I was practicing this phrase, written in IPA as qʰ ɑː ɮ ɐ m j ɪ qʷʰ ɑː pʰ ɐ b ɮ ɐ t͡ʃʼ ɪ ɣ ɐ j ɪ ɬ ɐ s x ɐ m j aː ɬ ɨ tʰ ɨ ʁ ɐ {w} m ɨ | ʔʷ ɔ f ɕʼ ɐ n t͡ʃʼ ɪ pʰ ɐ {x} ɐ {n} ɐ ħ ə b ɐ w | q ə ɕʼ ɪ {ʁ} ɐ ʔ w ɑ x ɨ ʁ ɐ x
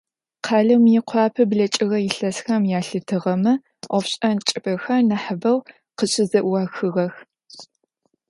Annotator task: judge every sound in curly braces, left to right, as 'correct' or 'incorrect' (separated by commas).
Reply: incorrect, correct, correct, incorrect